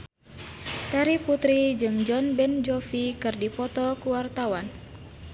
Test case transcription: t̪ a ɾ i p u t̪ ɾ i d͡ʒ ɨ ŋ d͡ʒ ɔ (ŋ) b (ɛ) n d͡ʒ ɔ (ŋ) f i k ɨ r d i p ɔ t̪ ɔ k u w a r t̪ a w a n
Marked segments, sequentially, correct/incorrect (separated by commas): incorrect, correct, incorrect